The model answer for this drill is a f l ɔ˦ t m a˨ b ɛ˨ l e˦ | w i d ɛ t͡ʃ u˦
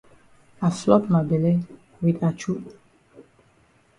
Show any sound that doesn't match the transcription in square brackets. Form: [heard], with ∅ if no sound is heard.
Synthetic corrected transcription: a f l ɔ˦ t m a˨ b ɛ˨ l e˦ | w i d [a] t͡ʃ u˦

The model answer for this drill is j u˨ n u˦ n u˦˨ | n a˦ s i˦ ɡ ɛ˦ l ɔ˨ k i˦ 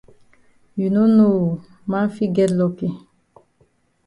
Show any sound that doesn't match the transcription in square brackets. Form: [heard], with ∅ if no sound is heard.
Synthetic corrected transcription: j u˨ n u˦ n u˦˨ | [m] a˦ [f] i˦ ɡ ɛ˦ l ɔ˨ k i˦

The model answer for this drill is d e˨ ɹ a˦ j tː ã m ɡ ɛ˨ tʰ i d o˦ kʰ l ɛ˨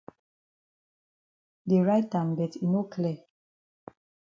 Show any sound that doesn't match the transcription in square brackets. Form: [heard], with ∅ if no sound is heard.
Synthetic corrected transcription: d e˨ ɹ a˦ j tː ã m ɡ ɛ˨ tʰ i [n] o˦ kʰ l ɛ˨

